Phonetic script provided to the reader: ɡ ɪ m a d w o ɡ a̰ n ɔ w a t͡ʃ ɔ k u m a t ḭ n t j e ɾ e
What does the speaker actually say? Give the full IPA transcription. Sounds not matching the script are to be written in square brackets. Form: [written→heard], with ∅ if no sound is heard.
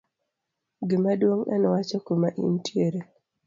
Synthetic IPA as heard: ɡ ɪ m a d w o [ɡ→ŋ] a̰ n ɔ w a t͡ʃ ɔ k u m a [t→ʔ] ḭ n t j e ɾ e